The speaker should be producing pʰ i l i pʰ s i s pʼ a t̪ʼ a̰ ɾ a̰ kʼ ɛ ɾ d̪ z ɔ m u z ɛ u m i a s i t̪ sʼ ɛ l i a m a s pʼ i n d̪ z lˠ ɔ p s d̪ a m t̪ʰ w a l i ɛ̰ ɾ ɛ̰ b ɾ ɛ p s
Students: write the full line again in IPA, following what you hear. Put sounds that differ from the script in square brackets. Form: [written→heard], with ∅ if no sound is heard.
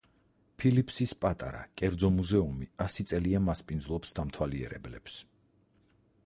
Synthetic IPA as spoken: pʰ i l i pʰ s i s pʼ a t̪ʼ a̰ ɾ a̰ kʼ ɛ ɾ d̪ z ɔ m u z ɛ u m i a s i t̪ sʼ ɛ l i a m a s pʼ i n d̪ z lˠ ɔ p s d̪ a m t̪ʰ w a l i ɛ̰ ɾ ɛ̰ b [ɾ→l] ɛ p s